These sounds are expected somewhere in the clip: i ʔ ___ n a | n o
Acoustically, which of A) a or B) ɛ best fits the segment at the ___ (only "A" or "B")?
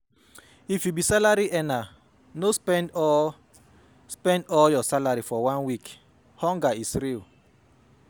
B